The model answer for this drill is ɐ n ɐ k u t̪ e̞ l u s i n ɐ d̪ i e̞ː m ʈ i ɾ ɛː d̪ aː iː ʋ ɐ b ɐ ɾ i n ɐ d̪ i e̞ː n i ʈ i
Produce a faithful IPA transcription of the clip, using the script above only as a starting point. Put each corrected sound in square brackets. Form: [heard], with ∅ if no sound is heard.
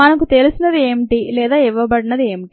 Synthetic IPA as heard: ɐ n ɐ k u t̪ e̞ l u s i n ɐ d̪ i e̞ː m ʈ i [l] ɛː d̪ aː [i] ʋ ɐ b ɐ [ɽ] i n ɐ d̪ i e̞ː [m] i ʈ i